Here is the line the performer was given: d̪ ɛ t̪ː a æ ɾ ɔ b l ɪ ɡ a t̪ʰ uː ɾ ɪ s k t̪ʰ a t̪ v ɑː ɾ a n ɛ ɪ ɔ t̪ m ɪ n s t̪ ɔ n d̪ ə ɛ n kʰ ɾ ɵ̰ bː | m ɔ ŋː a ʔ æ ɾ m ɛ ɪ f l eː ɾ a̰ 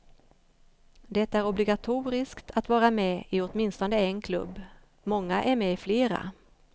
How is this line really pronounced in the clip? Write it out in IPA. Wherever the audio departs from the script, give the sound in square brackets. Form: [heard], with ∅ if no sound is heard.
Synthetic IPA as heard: d̪ ɛ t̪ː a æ ɾ ɔ b l ɪ ɡ a t̪ʰ uː ɾ ɪ s k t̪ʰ a t̪ v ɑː ɾ a [m] ɛ ɪ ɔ t̪ m ɪ n s t̪ ɔ n d̪ ə ɛ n kʰ [l] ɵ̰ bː | m ɔ ŋː a ʔ æ ɾ m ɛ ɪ f l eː ɾ a̰

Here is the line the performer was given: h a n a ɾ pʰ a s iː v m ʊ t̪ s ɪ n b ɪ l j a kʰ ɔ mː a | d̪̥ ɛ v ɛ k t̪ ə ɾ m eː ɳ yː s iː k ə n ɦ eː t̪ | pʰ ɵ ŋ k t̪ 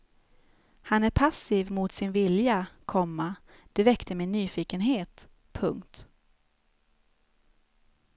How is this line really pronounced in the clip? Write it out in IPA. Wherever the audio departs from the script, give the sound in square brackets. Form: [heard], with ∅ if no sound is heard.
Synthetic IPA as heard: h a n [æ] ɾ pʰ a s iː v m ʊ t̪ s ɪ n [v] ɪ l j a kʰ ɔ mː a | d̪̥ ɛ v ɛ k t̪ ə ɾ m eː [n] yː [f] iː k ə n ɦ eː t̪ | pʰ ɵ ŋ k t̪

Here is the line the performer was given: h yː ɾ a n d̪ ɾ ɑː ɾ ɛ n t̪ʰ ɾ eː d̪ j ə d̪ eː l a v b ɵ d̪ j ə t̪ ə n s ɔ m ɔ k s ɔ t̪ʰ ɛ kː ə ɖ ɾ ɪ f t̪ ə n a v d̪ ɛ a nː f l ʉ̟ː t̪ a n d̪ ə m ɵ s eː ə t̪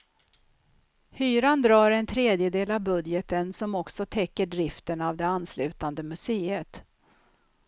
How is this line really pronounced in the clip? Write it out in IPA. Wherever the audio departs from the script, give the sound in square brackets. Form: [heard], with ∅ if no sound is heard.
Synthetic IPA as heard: h yː ɾ a n d̪ ɾ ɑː ɾ ɛ n t̪ʰ ɾ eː d̪ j ə d̪ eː l a v b ɵ d̪ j ə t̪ ə n s ɔ m ɔ k s ɔ t̪ʰ ɛ kː ə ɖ ɾ ɪ f t̪ ə n a v d̪ ɛ a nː [s] l ʉ̟ː t̪ a n d̪ ə m ɵ s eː ə t̪

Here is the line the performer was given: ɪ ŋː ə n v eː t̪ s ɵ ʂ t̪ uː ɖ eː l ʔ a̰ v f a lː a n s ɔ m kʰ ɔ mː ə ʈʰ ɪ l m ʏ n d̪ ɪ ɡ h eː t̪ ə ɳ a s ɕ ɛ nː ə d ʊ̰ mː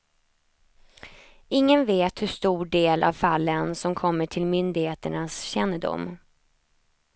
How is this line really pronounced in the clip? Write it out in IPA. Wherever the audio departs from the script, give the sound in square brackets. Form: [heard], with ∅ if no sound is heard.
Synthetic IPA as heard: ɪ ŋː ə n v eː t̪ [h] ɵ ʂ t̪ uː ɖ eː l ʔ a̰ v f a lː [ə] n s ɔ m kʰ ɔ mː ə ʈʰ ɪ l m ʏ n d̪ ɪ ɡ h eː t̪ ə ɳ a s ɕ ɛ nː ə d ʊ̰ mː

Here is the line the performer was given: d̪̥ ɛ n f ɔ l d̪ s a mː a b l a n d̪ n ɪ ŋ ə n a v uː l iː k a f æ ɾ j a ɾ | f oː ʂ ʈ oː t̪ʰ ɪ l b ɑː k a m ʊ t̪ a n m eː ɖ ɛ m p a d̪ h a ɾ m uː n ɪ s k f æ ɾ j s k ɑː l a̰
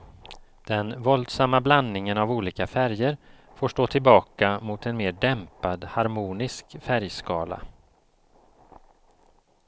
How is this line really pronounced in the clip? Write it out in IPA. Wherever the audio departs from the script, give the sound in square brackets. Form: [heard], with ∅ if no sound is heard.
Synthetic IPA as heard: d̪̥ ɛ n [v] ɔ l d̪ s a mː a b l a n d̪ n ɪ ŋ ə n a v uː l iː k a f æ ɾ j [ə] ɾ | f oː ʂ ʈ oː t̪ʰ ɪ l b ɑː k a m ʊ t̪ [ɛ] n m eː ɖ ɛ m p a d̪ h a ɾ m uː n ɪ s k f æ ɾ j s k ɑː l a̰

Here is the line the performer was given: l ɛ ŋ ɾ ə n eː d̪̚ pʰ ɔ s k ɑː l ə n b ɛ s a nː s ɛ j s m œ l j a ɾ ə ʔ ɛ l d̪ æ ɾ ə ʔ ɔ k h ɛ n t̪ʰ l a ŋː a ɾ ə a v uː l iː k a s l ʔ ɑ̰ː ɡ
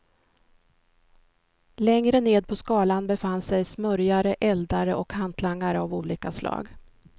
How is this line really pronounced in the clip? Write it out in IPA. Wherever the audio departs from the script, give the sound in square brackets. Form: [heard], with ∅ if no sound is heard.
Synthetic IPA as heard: l ɛ ŋ ɾ ə n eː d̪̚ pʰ ɔ s k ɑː l [a] n b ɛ [f] a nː s ɛ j s m œ [ɾ] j a ɾ ə ʔ ɛ l d̪ [a] ɾ ə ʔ ɔ k h [a] n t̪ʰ l a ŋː a ɾ ə a v uː l iː k a s l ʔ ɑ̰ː ɡ

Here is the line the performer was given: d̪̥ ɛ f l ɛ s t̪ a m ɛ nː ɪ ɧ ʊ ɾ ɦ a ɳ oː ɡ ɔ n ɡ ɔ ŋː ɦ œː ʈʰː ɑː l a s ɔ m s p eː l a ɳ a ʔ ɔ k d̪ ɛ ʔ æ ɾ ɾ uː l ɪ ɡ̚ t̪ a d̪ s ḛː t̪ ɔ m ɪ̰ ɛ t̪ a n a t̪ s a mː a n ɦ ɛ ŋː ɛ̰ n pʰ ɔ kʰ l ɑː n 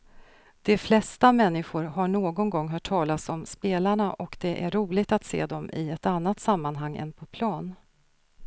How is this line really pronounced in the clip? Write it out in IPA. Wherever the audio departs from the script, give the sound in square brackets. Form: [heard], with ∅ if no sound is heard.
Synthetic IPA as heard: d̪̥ ɛ f l ɛ s t̪ a m ɛ nː ɪ ɧ ʊ ɾ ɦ a ɳ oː ɡ ɔ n ɡ ɔ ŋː ɦ œː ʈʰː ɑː l a s ɔ m s p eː l a ɳ a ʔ ɔ k d̪ ɛ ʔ æ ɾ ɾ uː l ɪ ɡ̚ t̪ a [t̪] s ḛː [d̪] ɔ m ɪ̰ ɛ t̪ a [nː] a t̪ s a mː a n ɦ [a] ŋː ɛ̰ n pʰ ɔ [pʰ] l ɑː n

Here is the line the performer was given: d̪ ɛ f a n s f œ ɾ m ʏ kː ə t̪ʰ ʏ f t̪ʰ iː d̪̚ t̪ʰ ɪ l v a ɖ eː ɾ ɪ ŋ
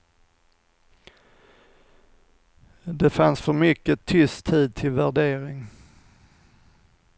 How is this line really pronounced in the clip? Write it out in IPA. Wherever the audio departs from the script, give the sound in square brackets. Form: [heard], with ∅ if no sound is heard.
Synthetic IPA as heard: d̪ ɛ f a n s f œ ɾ m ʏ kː ə t̪ʰ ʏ [s] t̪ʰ iː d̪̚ t̪ʰ ɪ l v [æ] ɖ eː ɾ ɪ ŋ

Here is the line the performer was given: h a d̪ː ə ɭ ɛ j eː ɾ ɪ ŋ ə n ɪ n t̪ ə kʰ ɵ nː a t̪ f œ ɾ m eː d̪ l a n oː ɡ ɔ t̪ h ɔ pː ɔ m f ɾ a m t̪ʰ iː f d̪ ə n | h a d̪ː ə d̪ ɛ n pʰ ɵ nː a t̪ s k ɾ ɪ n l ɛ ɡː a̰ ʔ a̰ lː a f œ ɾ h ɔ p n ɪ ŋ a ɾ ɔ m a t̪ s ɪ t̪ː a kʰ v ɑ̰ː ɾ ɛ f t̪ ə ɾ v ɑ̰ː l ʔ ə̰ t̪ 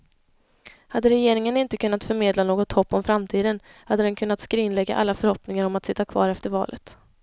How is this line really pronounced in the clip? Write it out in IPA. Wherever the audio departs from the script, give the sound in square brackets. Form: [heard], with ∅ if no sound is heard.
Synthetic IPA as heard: h a d̪ː ə [ɾ] ɛ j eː ɾ ɪ ŋ ə n ɪ n t̪ ə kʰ ɵ nː a t̪ f œ ɾ m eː d̪ l a n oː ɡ ɔ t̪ h ɔ pː ɔ m f ɾ a m t̪ʰ iː [∅] d̪ ə n | h a d̪ː ə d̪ ɛ n [kʰ] ɵ nː a t̪ s k ɾ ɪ n l ɛ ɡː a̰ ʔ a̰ lː a f œ ɾ h ɔ p n ɪ ŋ a ɾ ɔ m a t̪ s ɪ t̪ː a kʰ v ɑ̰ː ɾ ɛ f t̪ ə ɾ v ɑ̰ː l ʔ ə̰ t̪

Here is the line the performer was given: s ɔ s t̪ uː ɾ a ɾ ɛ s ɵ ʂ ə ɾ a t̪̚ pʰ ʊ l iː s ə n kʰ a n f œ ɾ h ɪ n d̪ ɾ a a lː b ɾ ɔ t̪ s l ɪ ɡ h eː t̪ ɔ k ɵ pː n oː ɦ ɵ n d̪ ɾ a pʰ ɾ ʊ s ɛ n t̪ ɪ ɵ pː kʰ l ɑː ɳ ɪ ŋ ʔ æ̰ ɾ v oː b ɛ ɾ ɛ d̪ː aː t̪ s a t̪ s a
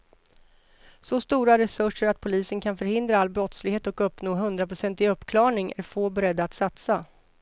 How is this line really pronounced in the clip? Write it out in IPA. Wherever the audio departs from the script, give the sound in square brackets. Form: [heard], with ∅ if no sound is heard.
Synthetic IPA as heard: s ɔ s t̪ uː ɾ a ɾ ɛ s ɵ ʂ ə ɾ a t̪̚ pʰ ʊ l iː s ə n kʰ a n f œ ɾ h ɪ n d̪ ɾ a a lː b ɾ ɔ t̪ s l ɪ ɡ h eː t̪ ɔ k ɵ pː n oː ɦ ɵ n d̪ ɾ a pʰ ɾ ʊ s ɛ n t̪ ɪ ɵ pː kʰ l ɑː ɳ ɪ ŋ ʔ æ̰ ɾ [f] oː b ɛ ɾ ɛ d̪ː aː t̪ s a t̪ s a

